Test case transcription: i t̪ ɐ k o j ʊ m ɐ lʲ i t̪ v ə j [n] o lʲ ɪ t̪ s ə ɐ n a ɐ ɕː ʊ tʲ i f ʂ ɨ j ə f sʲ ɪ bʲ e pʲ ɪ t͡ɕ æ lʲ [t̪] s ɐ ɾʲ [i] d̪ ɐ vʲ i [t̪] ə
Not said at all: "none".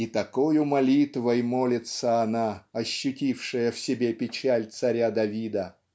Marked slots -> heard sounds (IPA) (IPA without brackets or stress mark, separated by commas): m, t̪, a, d̪